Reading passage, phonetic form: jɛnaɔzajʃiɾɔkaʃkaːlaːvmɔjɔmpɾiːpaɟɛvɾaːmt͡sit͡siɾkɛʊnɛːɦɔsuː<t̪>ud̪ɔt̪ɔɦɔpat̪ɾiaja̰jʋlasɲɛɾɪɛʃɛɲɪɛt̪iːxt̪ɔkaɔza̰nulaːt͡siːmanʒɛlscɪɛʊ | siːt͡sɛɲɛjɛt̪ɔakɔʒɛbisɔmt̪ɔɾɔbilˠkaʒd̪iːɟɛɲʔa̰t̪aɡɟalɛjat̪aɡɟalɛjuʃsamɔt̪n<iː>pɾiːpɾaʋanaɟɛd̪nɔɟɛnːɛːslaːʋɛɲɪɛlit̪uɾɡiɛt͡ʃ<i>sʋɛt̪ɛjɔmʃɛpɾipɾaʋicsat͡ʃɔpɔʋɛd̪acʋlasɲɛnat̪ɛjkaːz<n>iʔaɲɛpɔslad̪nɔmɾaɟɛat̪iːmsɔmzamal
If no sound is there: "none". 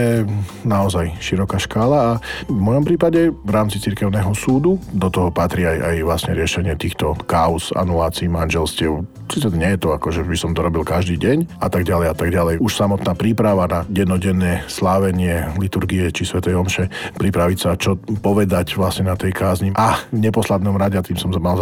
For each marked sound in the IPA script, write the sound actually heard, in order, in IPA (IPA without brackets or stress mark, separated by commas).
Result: d̪, aː, i, ɲ